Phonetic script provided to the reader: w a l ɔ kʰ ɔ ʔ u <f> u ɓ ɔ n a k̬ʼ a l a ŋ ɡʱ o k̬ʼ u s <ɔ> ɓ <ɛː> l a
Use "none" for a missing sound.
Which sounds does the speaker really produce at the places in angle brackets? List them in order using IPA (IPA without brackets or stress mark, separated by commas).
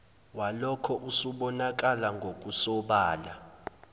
s, ɔ, aː